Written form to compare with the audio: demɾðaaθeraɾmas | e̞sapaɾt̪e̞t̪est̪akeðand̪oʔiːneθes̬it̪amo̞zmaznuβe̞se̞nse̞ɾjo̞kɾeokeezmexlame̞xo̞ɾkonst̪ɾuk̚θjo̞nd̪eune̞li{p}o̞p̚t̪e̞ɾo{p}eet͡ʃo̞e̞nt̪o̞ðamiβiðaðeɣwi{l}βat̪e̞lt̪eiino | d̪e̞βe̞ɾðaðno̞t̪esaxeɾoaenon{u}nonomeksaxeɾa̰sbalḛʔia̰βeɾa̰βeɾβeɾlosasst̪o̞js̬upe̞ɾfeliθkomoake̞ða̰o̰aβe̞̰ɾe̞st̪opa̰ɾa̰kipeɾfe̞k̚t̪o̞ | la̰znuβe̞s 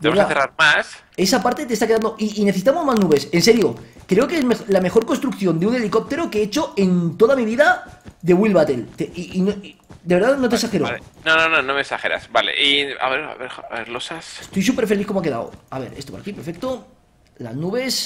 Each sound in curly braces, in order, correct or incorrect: incorrect: k, incorrect: k, correct, incorrect: o

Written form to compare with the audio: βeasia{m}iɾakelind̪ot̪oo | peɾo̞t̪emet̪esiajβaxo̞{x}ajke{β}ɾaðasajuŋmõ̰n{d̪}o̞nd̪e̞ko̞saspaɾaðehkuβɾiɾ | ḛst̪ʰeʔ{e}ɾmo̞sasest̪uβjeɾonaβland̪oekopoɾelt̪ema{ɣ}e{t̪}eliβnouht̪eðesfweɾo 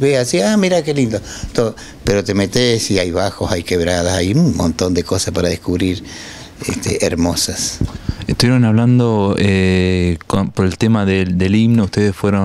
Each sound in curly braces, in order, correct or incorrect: correct, incorrect: s, correct, incorrect: t̪, correct, incorrect: ð, incorrect: d̪

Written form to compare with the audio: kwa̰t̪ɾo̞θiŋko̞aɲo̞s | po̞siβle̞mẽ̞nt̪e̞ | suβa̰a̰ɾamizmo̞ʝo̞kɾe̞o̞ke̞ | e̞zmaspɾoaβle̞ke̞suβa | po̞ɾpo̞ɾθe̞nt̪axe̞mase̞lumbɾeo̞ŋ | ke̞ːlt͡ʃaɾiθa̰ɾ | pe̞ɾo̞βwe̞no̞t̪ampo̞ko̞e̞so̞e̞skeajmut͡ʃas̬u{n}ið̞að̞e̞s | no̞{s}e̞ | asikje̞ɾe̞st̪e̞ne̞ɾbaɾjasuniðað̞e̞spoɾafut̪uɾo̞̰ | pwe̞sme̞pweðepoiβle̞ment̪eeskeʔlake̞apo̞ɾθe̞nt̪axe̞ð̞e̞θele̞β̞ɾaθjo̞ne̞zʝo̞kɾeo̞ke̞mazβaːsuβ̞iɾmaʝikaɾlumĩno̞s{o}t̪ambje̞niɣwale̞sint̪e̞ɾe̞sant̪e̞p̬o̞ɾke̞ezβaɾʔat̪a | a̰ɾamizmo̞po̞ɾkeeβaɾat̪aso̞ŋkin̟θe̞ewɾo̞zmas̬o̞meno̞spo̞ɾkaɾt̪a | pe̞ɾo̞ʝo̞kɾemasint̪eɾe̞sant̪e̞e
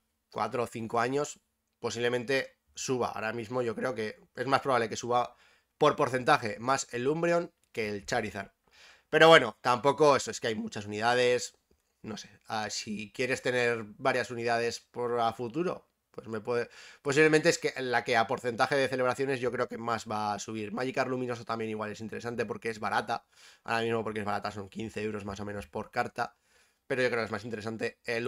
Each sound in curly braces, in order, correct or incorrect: correct, correct, correct

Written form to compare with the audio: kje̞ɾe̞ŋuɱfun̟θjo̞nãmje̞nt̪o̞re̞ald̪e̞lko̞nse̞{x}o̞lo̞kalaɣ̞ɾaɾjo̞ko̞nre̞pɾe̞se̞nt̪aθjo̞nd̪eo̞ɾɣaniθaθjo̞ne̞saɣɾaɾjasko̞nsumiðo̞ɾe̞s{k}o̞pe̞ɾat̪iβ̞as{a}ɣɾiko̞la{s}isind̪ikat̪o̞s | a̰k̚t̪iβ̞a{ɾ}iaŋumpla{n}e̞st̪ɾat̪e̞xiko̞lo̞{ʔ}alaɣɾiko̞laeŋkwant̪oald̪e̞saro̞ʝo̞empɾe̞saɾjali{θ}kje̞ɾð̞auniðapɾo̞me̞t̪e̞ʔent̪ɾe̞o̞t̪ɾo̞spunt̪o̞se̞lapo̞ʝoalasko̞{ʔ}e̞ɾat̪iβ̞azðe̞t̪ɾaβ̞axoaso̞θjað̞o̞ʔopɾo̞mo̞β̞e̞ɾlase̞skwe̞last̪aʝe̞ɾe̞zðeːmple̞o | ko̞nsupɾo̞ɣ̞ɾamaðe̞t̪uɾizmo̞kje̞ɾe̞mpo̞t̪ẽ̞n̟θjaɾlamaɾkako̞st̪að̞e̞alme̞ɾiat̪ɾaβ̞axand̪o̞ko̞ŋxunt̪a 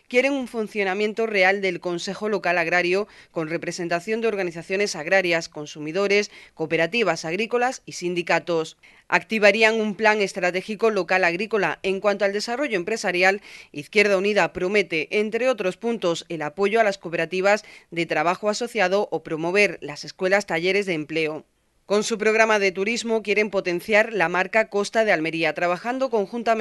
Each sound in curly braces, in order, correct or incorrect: correct, correct, correct, correct, correct, incorrect: ŋ, incorrect: k, correct, incorrect: p

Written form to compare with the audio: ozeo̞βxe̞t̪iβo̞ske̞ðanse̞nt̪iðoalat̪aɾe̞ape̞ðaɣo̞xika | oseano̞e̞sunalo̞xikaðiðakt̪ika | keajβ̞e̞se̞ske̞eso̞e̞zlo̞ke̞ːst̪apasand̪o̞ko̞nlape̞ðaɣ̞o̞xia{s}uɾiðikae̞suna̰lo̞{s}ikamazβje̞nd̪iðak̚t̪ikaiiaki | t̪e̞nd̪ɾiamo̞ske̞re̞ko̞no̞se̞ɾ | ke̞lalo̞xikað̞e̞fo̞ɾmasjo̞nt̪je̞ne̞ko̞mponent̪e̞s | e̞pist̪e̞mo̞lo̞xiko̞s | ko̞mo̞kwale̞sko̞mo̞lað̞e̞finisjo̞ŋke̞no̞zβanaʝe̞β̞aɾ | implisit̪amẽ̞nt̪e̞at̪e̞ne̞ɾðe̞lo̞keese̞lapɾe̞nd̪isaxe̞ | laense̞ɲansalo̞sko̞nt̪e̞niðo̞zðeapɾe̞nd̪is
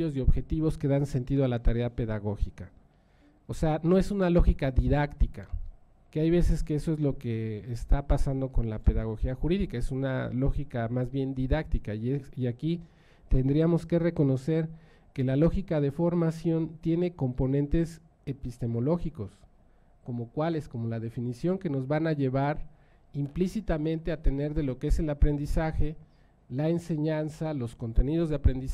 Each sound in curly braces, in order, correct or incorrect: incorrect: x, incorrect: x

